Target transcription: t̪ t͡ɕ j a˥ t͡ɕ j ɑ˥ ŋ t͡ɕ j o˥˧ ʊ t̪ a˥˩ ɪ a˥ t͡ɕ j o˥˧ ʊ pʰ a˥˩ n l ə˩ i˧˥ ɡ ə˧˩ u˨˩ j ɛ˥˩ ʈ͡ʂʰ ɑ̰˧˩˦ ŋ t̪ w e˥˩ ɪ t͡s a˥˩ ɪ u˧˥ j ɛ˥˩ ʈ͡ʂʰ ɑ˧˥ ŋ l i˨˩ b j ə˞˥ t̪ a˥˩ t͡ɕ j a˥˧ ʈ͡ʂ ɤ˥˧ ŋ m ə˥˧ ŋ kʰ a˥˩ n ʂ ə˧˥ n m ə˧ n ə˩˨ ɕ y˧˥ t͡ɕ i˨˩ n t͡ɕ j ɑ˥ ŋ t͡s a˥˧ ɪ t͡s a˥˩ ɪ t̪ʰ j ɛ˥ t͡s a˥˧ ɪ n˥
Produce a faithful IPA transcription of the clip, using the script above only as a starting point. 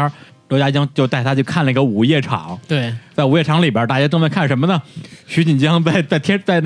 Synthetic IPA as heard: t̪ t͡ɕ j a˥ t͡ɕ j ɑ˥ ŋ t͡ɕ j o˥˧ ʊ t̪ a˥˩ ɪ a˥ t͡ɕ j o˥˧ ʊ kʰ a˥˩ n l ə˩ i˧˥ ɡ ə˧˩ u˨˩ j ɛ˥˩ ʈ͡ʂʰ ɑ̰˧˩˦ ŋ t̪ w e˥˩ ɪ t͡s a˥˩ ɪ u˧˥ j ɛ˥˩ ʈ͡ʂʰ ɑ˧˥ ŋ l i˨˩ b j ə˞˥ t̪ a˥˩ t͡ɕ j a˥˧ ʈ͡ʂ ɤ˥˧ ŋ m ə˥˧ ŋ kʰ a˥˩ n ʂ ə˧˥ n m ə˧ n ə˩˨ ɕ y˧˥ t͡ɕ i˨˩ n t͡ɕ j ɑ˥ ŋ t͡s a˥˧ ɪ t͡s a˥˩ ɪ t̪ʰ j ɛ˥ t͡s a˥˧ ɪ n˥